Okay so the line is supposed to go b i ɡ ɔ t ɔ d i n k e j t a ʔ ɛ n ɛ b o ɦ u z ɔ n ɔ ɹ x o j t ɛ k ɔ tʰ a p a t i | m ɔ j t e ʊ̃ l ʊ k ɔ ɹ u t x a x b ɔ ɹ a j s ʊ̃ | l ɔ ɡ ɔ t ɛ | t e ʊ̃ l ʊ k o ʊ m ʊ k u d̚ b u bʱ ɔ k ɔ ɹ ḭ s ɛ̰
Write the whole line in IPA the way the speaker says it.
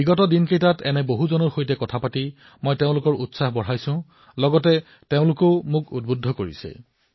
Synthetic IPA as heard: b i ɡ ɔ t ɔ d i n k e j t a t ɛ n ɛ b o ɦ u z ɔ n ɔ ɹ x o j t ɛ k ɔ tʰ a p a t i | m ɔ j t e ʊ̃ l ʊ k ɔ ɹ u t s a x b ɔ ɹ a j s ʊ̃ | l ɔ ɡ ɔ t ɛ | t e ʊ̃ l ʊ k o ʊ m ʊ k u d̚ b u dʱ ɔ k o ɹ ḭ s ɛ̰